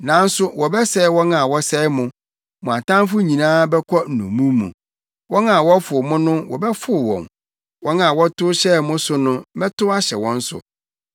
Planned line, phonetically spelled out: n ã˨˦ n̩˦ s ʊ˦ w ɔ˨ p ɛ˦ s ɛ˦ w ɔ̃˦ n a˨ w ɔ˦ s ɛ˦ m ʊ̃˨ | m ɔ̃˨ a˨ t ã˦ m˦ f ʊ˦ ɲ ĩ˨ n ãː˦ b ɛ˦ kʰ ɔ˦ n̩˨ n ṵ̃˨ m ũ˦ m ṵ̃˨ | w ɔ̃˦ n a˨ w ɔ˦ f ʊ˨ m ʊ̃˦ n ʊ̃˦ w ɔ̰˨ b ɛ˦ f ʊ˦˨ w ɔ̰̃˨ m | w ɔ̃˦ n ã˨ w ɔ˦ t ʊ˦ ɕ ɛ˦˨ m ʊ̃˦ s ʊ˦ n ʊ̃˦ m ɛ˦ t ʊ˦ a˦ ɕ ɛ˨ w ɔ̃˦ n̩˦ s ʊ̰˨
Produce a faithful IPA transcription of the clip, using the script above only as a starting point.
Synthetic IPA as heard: n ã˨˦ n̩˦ s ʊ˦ w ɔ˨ b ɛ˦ s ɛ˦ w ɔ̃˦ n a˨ w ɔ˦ s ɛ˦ m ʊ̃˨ | m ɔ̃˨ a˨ t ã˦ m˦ f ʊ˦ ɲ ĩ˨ n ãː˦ b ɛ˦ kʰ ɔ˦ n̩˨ n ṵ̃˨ m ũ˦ m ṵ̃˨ | w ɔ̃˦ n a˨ w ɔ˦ f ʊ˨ m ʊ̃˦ n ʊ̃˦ w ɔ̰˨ b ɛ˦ f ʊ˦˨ w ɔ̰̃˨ m | w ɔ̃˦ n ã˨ w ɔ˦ t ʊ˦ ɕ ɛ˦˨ m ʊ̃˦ s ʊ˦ n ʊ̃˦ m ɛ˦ t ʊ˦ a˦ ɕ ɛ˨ w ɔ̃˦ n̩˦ s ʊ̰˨